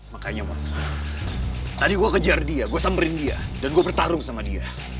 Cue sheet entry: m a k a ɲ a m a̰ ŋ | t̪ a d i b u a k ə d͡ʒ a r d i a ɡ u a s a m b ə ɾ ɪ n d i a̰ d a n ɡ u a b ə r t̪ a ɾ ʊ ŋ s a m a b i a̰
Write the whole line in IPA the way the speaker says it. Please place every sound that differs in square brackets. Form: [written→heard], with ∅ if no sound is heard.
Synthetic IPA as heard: m a k a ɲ a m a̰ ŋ | t̪ a d i [b→ɡ] u a k ə d͡ʒ a r d i a ɡ u a s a m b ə ɾ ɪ n d i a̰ d a n ɡ u a b ə r t̪ a ɾ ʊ ŋ s a m a [b→d] i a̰

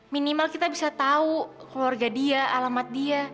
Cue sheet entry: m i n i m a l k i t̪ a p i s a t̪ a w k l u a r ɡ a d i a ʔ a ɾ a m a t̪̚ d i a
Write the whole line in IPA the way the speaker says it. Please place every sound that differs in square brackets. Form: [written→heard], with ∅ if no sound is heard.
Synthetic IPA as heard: m i n i m a l k i t̪ a [p→b] i s a t̪ a [w→u] k l u a r ɡ a d i a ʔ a [ɾ→l] a m a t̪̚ d i a

